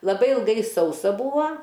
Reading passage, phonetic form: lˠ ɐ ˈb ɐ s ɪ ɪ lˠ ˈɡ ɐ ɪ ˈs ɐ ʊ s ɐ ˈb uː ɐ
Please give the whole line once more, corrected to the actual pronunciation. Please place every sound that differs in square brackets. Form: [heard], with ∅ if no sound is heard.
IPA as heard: lˠ ɐ ˈb ɐ [∅] ɪ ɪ lˠ ˈɡ ɐ ɪ ˈs ɐ ʊ s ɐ ˈb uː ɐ